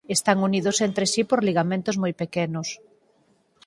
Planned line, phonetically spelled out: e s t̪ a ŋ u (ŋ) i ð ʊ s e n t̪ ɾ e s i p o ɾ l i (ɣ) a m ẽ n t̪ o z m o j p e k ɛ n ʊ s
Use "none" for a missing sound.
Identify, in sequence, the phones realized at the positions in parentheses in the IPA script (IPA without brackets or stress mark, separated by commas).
n, ɣ